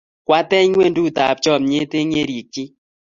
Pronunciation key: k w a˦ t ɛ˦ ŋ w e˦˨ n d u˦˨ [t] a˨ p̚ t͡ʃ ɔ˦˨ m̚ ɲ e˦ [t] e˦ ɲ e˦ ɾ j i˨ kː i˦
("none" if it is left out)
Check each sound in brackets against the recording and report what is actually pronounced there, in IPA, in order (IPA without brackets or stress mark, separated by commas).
t, t